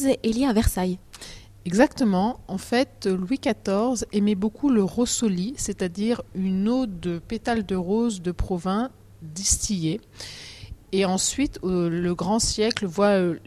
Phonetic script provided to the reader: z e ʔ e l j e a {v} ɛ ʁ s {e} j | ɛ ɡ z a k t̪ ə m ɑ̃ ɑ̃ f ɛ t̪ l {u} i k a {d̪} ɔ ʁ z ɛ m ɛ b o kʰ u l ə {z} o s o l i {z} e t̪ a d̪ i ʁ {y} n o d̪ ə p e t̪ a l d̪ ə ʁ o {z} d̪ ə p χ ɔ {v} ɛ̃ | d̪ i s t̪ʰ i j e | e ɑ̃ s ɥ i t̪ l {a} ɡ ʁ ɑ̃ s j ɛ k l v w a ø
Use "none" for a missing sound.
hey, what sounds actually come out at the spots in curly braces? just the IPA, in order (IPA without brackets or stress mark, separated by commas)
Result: v, a, w, t̪, ʁ, s, y, z, v, ə